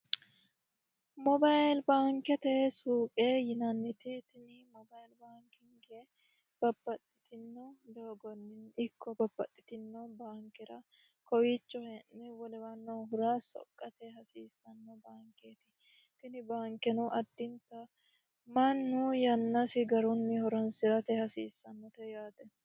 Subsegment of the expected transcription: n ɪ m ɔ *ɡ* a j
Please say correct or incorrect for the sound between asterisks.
incorrect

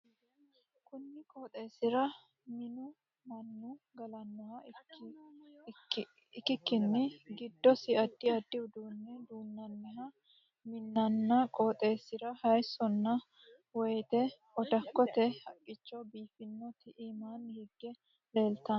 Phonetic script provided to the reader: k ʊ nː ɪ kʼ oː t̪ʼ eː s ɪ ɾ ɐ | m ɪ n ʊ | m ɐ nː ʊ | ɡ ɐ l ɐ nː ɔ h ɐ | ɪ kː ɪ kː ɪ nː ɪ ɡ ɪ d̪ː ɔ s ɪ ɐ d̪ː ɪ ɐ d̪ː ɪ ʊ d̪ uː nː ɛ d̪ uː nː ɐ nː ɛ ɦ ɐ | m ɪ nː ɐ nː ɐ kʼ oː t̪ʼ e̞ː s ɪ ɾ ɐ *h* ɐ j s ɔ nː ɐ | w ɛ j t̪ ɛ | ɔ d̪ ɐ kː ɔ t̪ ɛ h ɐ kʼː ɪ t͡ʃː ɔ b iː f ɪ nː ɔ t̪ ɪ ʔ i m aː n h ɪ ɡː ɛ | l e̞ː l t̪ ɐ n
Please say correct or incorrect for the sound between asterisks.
correct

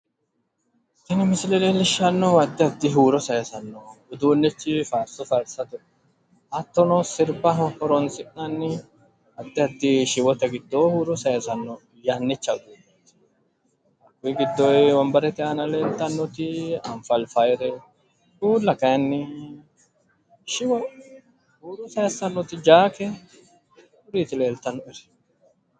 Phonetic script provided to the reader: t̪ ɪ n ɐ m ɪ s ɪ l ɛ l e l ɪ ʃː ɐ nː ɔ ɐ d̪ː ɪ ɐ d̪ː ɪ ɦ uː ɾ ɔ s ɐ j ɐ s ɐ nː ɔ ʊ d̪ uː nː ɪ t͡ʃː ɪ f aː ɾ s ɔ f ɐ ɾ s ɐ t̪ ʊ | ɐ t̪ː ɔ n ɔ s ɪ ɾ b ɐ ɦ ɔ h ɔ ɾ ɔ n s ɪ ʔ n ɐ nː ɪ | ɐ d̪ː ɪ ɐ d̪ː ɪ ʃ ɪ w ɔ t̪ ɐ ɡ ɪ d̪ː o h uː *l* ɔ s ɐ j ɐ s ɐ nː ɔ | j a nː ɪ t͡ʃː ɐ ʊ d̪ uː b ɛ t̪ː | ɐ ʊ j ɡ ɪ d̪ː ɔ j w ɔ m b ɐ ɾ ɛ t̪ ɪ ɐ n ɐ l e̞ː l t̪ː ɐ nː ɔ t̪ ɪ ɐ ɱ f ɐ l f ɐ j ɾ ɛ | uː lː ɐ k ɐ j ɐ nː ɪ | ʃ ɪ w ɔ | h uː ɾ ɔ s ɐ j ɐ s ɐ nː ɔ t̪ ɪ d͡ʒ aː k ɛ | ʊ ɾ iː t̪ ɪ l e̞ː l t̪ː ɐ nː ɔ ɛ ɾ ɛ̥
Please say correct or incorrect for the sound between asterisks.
incorrect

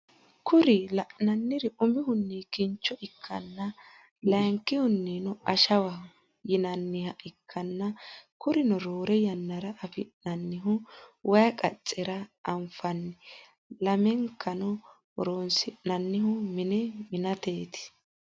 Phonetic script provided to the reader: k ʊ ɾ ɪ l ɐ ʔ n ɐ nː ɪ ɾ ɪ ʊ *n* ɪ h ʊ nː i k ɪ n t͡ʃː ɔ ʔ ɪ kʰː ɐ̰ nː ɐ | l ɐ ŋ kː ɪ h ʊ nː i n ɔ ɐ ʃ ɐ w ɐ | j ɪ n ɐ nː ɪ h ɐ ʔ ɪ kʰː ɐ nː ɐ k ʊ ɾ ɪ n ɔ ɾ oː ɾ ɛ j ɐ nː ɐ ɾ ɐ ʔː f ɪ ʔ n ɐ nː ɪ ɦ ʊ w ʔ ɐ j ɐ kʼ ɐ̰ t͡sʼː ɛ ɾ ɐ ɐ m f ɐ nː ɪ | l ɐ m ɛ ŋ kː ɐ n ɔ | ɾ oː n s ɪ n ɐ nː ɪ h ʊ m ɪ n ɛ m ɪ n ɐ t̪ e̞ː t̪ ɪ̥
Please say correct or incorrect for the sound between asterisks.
incorrect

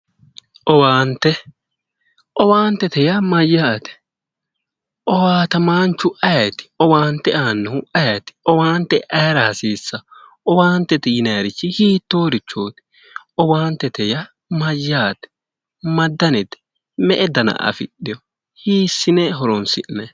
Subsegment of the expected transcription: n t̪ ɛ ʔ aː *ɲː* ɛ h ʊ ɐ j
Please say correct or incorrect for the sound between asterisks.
incorrect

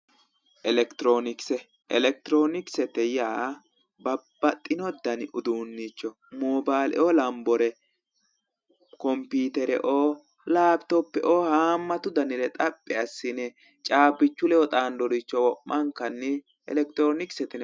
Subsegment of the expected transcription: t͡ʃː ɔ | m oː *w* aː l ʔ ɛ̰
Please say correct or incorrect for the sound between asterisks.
incorrect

